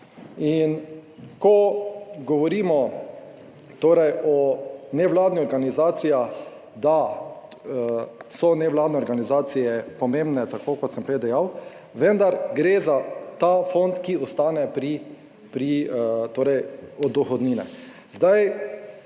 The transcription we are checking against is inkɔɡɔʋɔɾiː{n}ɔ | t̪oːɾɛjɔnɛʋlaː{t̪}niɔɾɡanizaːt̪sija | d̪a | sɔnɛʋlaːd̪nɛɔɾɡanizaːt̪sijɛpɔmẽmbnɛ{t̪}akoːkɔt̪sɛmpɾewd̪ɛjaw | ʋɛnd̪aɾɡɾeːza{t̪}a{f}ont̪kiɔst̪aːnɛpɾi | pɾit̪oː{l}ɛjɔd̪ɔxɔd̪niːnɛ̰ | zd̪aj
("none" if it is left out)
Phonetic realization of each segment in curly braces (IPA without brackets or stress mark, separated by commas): m, d̪, t̪, t̪, f, ɾ